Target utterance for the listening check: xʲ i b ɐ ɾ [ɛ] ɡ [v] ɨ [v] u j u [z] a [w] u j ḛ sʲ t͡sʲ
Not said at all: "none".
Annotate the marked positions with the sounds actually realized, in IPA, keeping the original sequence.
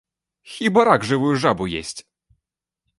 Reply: a, ʐ, v, ʐ, b

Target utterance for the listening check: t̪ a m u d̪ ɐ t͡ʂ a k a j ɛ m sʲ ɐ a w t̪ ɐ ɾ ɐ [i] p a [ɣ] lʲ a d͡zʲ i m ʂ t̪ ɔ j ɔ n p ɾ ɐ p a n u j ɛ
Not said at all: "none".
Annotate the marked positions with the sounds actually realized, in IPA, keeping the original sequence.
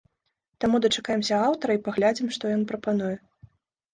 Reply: i, ɣ

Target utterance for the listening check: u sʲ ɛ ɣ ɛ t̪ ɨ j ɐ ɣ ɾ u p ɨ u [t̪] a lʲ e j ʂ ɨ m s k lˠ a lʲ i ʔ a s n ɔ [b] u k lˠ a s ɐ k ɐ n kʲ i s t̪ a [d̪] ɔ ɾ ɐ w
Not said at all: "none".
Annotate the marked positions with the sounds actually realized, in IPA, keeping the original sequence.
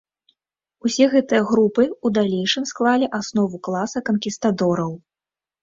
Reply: d̪, v, d̪

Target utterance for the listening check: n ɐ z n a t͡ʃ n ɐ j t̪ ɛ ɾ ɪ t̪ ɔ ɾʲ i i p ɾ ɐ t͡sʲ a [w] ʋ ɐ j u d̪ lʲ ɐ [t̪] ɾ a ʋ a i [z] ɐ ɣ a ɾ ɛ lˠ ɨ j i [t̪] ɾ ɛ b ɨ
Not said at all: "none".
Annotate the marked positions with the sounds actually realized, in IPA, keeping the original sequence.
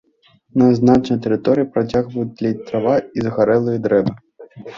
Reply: ɣ, t̪, z, d̪

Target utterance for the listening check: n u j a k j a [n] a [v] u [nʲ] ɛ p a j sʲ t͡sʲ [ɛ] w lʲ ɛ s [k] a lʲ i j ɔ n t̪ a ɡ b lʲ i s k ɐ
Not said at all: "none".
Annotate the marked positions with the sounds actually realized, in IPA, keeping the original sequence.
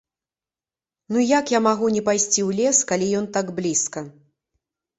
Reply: m, ɣ, nʲ, i, k

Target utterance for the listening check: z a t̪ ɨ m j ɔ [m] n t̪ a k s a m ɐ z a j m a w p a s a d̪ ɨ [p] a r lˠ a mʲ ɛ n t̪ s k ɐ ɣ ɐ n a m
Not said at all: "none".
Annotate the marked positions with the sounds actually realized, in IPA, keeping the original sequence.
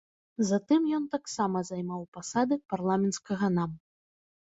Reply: none, p

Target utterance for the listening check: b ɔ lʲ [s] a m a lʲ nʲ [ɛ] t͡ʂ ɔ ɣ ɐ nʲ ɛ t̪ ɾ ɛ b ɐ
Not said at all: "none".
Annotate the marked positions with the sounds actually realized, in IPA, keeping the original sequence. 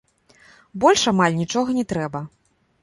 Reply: ʂ, i

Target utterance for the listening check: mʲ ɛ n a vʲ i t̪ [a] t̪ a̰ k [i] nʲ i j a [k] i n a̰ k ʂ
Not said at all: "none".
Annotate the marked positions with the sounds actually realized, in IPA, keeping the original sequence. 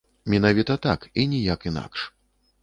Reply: ɐ, i, k

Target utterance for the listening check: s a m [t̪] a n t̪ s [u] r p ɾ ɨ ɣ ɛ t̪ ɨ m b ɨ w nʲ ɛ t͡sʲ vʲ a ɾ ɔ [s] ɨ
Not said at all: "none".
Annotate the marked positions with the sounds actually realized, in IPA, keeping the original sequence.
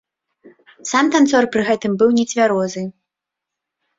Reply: t̪, ɔ, z

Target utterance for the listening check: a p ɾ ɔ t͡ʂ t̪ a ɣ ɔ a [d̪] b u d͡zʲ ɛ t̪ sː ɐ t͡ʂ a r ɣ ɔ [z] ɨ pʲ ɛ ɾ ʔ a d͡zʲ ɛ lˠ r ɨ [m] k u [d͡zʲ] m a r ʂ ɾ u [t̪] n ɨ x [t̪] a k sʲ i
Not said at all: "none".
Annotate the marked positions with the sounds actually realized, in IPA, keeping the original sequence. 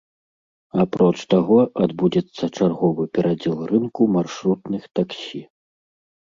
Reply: d̪, v, n, none, t̪, t̪

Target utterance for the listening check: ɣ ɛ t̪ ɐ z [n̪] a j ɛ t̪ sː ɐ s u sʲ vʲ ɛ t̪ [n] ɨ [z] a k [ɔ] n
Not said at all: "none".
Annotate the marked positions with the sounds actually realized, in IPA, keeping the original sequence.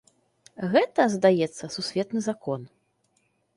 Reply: d̪, n, z, ɔ

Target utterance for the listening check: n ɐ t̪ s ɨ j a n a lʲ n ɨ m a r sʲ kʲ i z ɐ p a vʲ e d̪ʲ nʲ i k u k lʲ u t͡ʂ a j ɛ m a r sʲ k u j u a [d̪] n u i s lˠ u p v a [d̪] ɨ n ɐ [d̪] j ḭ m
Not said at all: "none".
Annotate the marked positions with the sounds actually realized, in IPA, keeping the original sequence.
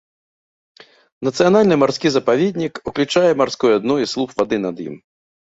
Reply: d̪, d̪, d̪

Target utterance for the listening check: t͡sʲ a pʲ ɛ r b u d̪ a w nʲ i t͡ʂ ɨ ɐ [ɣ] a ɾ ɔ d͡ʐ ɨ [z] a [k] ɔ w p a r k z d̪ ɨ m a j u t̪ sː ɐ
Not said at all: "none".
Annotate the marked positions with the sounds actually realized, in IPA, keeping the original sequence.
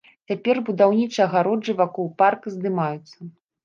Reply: ɣ, v, k

